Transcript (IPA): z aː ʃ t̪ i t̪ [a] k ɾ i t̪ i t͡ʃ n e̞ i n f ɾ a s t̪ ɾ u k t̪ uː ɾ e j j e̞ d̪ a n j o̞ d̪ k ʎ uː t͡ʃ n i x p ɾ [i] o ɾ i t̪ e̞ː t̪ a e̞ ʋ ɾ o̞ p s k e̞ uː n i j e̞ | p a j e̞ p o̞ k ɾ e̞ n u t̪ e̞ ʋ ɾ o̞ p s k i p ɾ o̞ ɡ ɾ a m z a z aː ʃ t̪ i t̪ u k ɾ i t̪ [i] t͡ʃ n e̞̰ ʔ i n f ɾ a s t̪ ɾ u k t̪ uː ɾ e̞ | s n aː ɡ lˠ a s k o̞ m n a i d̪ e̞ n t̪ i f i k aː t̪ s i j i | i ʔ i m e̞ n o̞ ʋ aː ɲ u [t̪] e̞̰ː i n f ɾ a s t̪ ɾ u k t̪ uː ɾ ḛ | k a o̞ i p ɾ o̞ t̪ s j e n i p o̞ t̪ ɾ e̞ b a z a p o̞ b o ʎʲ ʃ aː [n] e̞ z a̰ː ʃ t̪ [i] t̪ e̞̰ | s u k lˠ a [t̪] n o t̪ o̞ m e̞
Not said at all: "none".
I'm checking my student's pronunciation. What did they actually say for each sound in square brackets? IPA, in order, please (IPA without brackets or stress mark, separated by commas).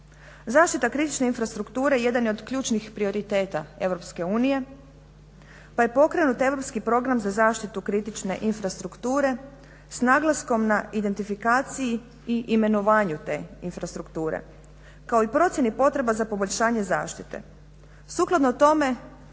a, i, i, t̪, ɲ, i, d̪